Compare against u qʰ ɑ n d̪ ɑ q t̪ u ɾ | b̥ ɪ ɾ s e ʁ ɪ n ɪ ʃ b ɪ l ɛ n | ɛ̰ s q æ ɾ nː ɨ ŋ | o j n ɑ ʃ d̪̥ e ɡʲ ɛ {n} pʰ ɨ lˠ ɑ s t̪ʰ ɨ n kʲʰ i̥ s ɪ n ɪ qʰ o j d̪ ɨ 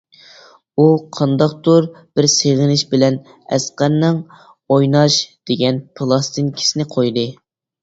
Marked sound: correct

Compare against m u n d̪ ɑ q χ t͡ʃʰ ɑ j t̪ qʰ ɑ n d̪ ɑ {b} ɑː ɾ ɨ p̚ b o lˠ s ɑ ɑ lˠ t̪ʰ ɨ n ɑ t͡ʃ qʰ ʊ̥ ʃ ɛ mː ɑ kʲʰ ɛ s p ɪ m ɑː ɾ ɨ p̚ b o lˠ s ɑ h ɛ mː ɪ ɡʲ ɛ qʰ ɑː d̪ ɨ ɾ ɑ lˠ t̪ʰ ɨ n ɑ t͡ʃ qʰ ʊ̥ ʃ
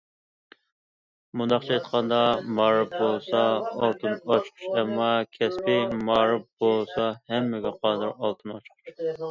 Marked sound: incorrect: m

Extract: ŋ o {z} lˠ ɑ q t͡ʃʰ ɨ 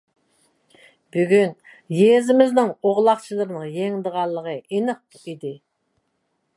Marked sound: incorrect: ʁ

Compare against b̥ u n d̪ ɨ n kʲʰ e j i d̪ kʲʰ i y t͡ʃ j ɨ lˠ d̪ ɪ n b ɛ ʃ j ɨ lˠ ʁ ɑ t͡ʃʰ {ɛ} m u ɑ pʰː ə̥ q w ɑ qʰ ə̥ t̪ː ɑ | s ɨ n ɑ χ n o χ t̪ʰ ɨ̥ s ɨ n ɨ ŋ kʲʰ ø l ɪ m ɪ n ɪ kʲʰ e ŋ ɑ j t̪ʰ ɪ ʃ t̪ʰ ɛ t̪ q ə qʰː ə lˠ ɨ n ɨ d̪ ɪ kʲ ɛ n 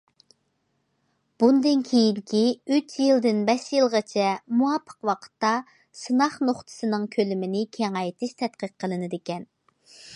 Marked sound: correct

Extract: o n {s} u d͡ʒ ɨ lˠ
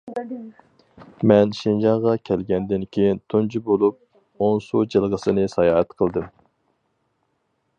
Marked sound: correct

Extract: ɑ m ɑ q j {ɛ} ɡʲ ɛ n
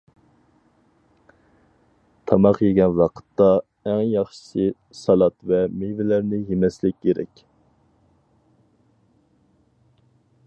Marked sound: incorrect: e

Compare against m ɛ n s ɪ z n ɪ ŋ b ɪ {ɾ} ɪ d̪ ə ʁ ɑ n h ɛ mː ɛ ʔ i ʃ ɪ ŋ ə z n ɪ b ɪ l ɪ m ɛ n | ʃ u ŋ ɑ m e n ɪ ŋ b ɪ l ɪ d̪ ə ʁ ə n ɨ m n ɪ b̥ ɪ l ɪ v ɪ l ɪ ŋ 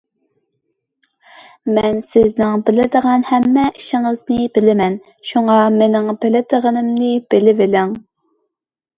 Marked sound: incorrect: l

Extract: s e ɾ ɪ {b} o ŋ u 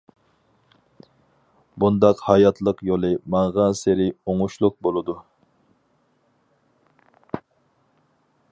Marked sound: incorrect: none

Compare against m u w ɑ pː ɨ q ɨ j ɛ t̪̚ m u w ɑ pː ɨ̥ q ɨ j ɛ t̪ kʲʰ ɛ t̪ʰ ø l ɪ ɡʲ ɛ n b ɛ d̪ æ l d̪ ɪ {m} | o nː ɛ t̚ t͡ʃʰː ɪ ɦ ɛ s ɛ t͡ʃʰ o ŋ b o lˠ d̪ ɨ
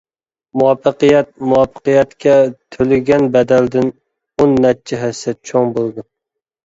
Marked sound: incorrect: n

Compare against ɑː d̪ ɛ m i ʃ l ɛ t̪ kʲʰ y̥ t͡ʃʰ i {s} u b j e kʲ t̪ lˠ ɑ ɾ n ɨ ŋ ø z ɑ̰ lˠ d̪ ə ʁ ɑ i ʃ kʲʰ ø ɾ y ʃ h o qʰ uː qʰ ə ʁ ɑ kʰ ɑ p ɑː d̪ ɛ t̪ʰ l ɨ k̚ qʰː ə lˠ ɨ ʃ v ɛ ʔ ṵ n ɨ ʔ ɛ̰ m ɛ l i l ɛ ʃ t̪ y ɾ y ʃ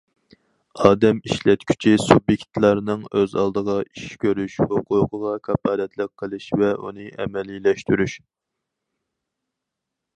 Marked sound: correct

